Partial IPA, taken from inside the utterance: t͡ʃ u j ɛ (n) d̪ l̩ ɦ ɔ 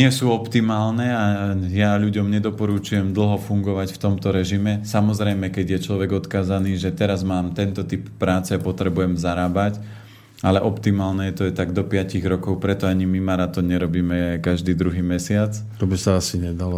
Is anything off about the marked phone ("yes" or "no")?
yes